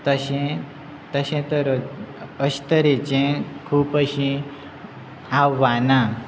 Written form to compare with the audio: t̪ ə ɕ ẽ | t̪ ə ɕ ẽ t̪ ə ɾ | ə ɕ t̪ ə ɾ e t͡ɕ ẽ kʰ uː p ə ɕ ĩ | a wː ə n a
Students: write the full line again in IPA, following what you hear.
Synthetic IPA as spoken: t̪ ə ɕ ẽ | t̪ ə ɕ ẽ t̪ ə ɾ | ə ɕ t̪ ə ɾ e t͡ɕ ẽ kʰ uː p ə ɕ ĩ | a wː a n a

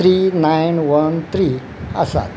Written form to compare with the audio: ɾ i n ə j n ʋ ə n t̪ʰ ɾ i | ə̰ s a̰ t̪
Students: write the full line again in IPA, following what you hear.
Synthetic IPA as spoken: ɾ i n a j n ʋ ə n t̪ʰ ɾ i | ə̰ s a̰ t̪

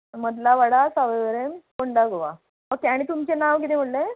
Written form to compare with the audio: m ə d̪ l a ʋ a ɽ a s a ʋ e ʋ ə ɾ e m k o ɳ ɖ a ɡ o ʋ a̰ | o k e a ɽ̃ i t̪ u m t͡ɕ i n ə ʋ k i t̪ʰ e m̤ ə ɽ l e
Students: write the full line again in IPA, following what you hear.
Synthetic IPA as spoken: m ə d̪ l a ʋ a ɽ a s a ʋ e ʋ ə ɾ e m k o ɳ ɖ a ɡ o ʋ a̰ | o k e a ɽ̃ i t̪ u m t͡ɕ e n a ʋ k i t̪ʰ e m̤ ə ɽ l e

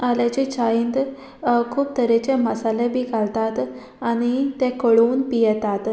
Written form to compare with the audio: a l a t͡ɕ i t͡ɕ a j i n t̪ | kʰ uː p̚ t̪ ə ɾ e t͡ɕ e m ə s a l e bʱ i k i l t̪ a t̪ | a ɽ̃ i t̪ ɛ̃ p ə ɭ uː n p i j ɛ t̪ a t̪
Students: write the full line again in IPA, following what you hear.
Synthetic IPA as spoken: a l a t͡ɕ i t͡ɕ a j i n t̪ | kʰ uː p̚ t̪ ə ɾ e t͡ɕ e m ə s a l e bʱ i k a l t̪ a t̪ | a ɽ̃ i t̪ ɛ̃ k ə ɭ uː n p i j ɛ t̪ a t̪

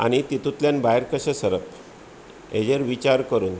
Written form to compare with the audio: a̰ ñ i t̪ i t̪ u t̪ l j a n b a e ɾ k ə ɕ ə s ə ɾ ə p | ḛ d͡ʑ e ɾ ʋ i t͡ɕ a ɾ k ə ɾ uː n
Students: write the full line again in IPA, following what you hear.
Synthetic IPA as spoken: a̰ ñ i t̪ i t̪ u t̪ l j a n b a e ɾ k ə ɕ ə s ə ɾ ə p | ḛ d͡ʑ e ɾ ʋ i t͡ɕ a ɾ k ə ɾ uː n

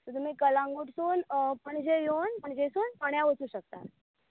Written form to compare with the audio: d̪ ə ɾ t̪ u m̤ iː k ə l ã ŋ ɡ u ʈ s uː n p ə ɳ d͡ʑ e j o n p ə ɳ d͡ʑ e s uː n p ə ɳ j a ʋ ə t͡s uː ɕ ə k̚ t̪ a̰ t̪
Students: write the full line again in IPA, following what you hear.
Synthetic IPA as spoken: t̪ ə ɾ t̪ u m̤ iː k ə l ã ŋ ɡ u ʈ s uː n p ə ɳ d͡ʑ e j o n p ə ɳ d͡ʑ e s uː n p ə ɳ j a ʋ ə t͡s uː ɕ ə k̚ t̪ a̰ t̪

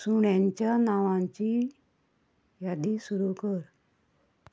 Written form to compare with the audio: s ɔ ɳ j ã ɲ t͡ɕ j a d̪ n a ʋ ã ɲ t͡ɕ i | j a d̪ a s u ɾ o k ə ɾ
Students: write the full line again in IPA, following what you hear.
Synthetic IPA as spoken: s u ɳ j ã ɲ t͡ɕ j a n a ʋ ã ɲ t͡ɕ i | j a d̪ i s u ɾ u k ə ɾ

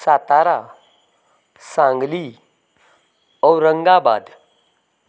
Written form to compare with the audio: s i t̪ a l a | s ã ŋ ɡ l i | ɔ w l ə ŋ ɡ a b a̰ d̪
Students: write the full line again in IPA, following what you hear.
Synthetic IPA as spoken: s a t̪ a ɾ a | s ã ŋ ɡ l i | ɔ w ɾ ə ŋ ɡ a b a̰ d̪

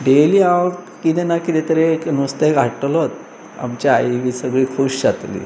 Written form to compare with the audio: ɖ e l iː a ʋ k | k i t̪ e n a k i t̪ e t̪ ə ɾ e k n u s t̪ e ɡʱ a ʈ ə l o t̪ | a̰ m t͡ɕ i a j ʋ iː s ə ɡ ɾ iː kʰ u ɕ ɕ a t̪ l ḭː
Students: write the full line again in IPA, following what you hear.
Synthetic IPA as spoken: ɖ e l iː a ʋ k | k i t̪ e n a k i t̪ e t̪ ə ɾ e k n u s t̪ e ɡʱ a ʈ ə l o t̪ | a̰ m t͡ɕ a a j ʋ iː s ə ɡ ɭ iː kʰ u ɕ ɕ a t̪ l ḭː

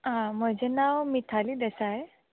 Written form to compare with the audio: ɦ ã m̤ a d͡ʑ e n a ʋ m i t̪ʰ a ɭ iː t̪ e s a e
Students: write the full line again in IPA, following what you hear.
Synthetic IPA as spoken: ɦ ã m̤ ə d͡ʑ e n a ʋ m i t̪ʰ a l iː d̪ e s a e

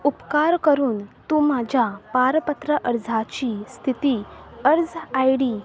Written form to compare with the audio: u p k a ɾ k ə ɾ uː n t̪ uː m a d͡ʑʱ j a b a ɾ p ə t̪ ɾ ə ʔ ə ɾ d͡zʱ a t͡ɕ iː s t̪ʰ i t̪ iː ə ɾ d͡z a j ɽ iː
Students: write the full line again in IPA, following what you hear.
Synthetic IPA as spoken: u p k a ɾ k ə ɾ uː n t̪ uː m a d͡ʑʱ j a p a ɾ p ə t̪ ɾ ə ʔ ə ɾ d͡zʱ a t͡ɕ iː s t̪ʰ i t̪ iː ə ɾ d͡z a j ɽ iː

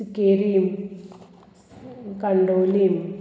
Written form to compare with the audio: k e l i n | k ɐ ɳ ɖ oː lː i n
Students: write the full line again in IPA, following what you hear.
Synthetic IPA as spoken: k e ɾ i m | k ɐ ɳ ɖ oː l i m

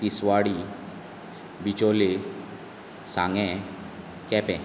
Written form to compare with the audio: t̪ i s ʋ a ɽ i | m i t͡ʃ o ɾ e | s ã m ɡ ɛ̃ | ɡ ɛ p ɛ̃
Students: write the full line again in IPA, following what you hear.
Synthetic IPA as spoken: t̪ i s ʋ a ɽ i | b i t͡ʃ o l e | s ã ŋ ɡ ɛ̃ | k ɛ p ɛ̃

